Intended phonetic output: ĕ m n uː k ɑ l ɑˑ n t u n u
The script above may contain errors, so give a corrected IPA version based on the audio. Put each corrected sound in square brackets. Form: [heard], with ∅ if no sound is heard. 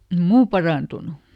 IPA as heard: ĕ m [m] uː [p] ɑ [r] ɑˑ n t u n u